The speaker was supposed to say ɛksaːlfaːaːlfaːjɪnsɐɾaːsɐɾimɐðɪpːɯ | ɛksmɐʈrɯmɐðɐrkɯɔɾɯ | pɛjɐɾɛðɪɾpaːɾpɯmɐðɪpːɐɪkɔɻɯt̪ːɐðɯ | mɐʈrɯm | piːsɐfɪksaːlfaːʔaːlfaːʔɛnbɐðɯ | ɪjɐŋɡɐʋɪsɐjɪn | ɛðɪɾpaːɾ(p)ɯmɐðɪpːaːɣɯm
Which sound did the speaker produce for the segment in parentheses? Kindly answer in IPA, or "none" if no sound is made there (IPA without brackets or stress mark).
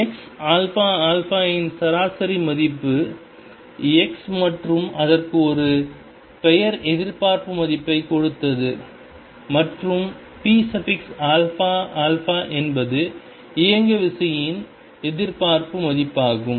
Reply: p